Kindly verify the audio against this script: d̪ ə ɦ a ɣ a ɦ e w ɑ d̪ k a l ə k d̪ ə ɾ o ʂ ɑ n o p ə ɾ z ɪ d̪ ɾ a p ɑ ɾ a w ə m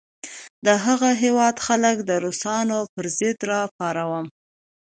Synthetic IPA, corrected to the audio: d̪ ə ɦ a ɣ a ɦ e w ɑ d̪ x a l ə k d̪ ə ɾ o s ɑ n o p ə ɾ z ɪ d̪ ɾ ɑ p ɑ ɾ a w ə m

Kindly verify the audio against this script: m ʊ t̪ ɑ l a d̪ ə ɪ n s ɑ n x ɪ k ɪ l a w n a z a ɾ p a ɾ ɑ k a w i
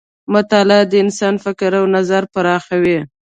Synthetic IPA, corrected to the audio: m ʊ t̪ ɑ l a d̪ ə ɪ n s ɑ n f ɪ k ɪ ɾ a w n a z a ɾ p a ɾ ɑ x a w i

